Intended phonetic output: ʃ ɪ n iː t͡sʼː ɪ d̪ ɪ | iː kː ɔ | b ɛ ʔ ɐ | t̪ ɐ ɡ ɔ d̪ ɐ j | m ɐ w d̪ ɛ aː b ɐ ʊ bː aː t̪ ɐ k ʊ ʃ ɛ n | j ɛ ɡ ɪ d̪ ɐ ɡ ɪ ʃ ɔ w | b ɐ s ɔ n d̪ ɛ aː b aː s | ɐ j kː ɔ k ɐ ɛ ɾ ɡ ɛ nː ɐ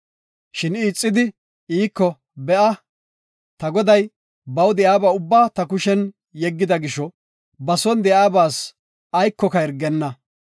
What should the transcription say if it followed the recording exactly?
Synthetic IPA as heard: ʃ ɪ n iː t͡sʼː ɪ d̪ ɪ | iː kː ɔ | b ɛ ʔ ɐ | t̪ ɐ ɡ ɔ d̪ ɐ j | b ɐ w d̪ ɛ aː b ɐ ʊ bː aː t̪ ɐ k ʊ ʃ ɛ n | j ɛ ɡː ɪ d̪ ɐ ɡ ɪ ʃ ɔ | b ɐ s ɔ n d̪ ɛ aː b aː s | ɐ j kː ɔ k ɐ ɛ ɾ ɡ ɛ nː ɐ